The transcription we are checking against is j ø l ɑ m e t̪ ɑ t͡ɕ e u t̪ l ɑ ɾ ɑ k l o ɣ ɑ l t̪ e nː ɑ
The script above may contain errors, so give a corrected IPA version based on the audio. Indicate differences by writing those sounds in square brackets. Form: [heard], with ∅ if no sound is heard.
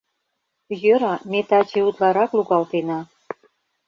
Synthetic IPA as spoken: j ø [ɾ] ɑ m e t̪ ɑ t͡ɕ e u t̪ l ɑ ɾ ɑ k l [u] ɣ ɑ l t̪ e [n] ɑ